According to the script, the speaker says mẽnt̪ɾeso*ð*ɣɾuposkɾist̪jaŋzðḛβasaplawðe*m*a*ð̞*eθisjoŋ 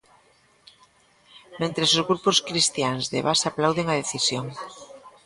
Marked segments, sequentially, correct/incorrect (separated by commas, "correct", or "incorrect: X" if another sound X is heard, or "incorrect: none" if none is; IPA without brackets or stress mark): incorrect: z, incorrect: ŋ, correct